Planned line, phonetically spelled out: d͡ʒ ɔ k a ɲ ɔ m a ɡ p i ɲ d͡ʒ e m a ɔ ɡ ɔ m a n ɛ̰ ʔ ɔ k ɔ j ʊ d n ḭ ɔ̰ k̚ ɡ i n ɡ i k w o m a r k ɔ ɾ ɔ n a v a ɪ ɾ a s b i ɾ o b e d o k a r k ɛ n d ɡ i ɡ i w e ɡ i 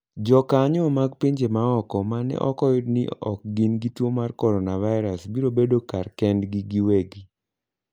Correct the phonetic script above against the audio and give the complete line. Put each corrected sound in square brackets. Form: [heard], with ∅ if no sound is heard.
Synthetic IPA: d͡ʒ ɔ k a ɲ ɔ m a ɡ p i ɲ d͡ʒ e m a ɔ [k] ɔ m a n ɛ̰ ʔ ɔ k ɔ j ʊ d n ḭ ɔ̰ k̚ ɡ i n ɡ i [t] w o m a r k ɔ ɾ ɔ n a v a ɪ ɾ a s b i ɾ o b e d o k a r k ɛ n d ɡ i ɡ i w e ɡ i